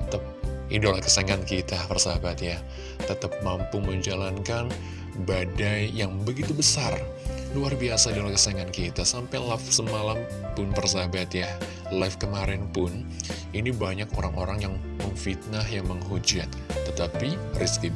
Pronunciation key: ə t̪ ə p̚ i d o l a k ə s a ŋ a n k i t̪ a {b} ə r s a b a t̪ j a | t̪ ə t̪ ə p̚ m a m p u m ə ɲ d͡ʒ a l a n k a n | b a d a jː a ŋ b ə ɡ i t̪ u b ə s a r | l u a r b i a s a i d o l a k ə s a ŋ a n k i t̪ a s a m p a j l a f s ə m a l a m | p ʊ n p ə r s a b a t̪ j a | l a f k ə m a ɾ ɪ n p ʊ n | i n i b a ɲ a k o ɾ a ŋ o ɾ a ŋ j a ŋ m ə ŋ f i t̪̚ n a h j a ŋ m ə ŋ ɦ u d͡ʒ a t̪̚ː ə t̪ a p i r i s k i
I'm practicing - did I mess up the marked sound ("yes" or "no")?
yes